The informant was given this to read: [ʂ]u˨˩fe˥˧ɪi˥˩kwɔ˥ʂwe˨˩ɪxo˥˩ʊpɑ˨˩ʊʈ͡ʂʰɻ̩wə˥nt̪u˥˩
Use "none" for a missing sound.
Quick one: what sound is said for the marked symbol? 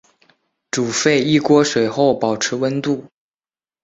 ʈ͡ʂ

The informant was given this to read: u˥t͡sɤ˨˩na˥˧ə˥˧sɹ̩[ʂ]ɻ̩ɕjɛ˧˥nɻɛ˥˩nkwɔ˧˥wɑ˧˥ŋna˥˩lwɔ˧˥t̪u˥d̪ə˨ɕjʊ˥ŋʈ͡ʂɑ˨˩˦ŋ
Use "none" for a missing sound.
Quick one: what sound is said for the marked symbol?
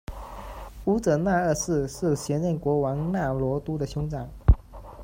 ʂ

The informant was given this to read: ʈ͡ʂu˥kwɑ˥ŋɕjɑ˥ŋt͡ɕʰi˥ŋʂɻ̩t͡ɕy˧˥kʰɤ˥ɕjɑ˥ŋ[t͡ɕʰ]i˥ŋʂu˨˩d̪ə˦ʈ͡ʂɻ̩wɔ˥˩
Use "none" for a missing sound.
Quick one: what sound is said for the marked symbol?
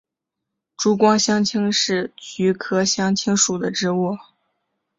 t͡ɕʰ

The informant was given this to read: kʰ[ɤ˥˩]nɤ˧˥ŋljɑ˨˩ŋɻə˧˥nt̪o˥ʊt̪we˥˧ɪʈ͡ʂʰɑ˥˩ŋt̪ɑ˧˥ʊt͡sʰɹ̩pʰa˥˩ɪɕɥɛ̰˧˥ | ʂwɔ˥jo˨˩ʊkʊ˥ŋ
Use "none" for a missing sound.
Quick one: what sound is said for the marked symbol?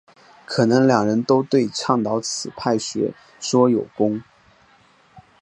ɤ˨˩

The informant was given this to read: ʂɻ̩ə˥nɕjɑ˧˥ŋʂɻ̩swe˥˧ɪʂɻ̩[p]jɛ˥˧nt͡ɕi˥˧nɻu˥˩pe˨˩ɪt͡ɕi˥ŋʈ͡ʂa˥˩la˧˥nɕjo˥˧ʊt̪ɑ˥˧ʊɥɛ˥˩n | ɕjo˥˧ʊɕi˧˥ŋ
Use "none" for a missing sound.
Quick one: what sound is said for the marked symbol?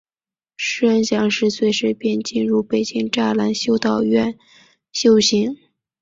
p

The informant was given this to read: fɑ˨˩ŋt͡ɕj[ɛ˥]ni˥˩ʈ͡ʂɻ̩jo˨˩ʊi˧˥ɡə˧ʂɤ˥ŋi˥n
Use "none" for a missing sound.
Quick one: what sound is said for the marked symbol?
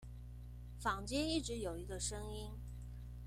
ɛ˥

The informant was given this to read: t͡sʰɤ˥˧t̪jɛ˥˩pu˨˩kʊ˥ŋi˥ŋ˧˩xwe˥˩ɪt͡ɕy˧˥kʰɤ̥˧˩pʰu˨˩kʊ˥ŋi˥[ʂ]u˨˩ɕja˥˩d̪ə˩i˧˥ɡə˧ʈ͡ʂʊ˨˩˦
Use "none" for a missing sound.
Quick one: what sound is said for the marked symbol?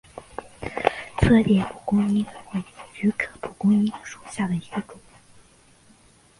ʂ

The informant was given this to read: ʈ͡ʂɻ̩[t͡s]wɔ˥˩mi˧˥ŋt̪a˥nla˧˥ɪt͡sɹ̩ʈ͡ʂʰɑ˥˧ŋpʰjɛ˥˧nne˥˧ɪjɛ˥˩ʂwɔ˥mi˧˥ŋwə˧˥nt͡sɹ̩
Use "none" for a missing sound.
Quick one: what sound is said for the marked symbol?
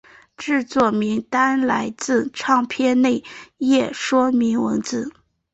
t͡s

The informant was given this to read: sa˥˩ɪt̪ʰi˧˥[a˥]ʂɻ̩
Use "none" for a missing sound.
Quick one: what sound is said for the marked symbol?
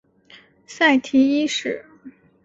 i˥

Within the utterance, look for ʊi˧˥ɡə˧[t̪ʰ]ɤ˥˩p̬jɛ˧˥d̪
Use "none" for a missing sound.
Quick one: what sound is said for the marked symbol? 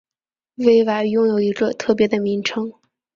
t̪ʰ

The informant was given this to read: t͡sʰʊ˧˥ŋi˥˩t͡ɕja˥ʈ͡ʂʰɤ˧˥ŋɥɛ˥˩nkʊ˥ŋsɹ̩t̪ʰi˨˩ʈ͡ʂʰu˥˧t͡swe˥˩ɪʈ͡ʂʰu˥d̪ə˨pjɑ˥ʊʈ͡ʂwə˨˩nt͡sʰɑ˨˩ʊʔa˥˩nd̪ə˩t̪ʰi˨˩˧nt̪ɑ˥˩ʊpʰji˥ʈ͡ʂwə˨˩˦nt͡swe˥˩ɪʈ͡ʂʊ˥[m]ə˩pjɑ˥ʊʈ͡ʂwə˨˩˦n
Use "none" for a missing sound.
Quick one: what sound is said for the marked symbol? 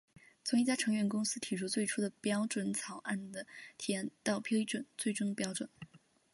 ŋ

